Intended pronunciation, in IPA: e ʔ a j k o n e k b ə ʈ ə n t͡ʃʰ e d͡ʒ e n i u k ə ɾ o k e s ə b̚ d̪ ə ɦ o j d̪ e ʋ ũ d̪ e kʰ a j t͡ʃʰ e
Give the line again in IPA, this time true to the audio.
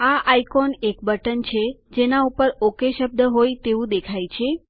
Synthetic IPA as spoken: a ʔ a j k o n e k b ə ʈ ə n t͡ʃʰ e d͡ʒ e n a u p ə ɾ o k e ʃ ə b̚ d̪ ə ɦ o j t̪ e ʋ ũ d̪ e kʰ a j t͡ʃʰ e